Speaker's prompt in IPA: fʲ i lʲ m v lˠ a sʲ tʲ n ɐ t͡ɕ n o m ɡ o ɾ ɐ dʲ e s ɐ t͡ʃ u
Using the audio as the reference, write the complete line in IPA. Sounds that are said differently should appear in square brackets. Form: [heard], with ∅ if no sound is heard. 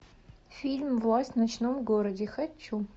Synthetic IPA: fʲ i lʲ m v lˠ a sʲ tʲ n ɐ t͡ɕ n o m ɡ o ɾ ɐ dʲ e [x] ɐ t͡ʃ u

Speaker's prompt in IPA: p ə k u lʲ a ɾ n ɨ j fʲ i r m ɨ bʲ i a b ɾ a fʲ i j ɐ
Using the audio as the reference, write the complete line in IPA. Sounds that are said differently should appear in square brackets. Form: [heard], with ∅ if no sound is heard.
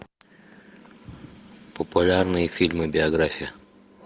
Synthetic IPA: p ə [p] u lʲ a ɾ n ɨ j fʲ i [l] m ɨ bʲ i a [ɡ] ɾ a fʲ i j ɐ

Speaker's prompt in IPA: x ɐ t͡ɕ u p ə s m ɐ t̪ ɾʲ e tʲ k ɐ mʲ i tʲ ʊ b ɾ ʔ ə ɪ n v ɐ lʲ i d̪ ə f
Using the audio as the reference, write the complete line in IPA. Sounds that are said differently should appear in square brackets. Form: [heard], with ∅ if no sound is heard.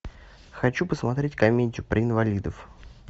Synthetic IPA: x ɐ t͡ɕ u p ə s m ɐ t̪ ɾʲ e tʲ k ɐ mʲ [e] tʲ ʊ [p] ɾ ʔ ə ɪ n v ɐ lʲ i d̪ ə f

